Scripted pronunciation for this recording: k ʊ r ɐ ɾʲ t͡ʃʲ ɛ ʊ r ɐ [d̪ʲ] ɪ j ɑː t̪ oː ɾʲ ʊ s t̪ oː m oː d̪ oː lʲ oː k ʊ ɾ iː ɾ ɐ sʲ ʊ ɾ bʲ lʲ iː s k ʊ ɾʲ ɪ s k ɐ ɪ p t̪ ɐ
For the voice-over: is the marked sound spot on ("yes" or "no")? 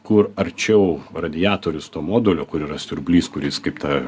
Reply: yes